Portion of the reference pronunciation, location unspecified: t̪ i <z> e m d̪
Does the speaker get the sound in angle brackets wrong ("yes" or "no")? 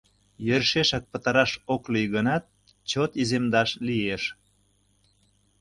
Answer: no